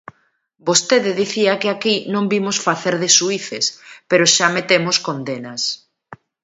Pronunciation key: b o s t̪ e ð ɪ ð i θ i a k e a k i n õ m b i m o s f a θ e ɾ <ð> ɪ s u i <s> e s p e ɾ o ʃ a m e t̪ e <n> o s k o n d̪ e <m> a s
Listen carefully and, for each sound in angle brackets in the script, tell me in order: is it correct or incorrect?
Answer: correct, incorrect, incorrect, incorrect

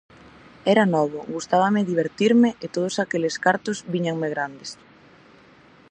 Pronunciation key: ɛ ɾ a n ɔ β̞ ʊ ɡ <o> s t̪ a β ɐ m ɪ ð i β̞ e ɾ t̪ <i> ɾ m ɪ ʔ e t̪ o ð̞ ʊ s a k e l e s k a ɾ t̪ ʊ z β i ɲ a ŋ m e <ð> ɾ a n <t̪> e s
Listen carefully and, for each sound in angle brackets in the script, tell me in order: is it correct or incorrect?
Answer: incorrect, correct, incorrect, incorrect

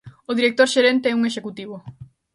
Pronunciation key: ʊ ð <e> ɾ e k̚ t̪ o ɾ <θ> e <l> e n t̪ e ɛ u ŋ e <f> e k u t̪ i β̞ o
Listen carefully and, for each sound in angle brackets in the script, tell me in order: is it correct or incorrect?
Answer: incorrect, incorrect, incorrect, incorrect

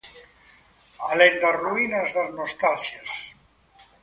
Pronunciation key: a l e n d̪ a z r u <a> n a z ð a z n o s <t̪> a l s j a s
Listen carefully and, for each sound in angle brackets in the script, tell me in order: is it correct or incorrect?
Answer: incorrect, correct

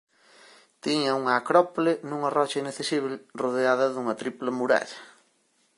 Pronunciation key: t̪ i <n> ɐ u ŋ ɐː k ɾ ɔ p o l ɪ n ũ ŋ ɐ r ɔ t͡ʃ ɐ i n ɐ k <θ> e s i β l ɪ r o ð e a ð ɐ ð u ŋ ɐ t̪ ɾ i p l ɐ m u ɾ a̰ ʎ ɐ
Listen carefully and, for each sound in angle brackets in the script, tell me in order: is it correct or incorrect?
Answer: incorrect, correct

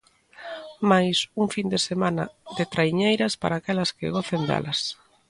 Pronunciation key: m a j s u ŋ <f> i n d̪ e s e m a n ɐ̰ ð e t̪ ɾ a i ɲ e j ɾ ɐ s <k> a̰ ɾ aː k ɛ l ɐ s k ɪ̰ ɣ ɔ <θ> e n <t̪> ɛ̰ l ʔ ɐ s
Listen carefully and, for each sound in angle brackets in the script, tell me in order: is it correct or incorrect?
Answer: correct, incorrect, correct, incorrect

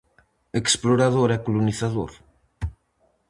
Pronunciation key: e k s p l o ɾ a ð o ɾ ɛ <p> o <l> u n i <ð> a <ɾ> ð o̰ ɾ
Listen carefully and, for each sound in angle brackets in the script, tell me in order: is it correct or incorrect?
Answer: incorrect, correct, incorrect, incorrect

